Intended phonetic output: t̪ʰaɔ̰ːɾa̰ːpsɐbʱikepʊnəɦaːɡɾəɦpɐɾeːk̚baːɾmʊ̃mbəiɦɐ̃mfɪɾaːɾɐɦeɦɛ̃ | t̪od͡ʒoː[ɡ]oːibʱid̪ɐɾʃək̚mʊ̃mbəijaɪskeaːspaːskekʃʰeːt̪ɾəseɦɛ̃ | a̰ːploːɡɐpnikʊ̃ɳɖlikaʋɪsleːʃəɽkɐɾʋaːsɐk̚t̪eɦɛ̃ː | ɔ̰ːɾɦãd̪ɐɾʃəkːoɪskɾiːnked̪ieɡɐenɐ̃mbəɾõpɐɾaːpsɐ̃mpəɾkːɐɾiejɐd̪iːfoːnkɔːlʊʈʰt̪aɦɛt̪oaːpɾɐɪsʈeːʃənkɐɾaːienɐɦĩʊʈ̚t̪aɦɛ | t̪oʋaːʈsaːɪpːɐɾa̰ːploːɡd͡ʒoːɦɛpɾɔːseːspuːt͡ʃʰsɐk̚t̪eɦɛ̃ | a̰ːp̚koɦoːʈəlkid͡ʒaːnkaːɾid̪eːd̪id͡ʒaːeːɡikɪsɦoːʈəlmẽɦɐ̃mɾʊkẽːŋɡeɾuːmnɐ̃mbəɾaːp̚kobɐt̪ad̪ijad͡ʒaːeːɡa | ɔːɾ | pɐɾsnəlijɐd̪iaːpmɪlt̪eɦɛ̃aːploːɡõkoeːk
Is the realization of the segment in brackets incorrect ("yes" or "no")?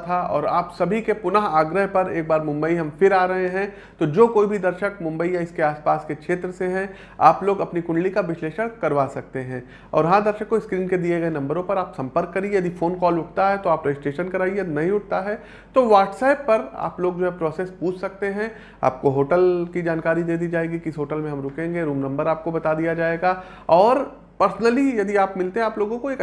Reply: yes